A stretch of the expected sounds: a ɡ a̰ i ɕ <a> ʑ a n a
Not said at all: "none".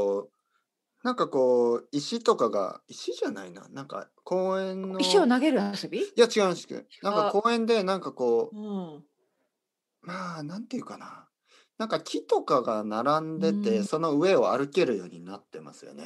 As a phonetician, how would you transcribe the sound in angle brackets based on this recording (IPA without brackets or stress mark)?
i